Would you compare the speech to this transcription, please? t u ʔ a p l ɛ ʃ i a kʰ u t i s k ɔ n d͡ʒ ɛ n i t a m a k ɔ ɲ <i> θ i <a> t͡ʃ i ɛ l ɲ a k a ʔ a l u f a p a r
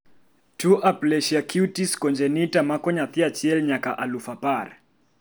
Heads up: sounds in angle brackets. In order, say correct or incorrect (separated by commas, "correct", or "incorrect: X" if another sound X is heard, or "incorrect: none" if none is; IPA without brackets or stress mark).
incorrect: a, correct